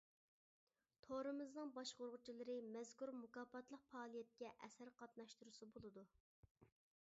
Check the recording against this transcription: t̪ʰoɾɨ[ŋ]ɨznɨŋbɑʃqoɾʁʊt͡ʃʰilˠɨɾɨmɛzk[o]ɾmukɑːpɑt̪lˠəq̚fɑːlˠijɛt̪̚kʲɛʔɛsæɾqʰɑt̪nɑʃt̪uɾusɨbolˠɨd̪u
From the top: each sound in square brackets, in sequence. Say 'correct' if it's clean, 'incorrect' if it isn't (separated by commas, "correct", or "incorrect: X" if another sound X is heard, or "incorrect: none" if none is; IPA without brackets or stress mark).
incorrect: m, incorrect: u